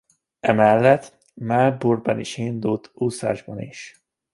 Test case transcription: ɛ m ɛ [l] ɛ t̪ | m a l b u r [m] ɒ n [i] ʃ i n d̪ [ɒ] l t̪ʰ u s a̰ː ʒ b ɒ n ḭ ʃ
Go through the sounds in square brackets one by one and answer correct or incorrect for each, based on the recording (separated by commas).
incorrect, incorrect, correct, incorrect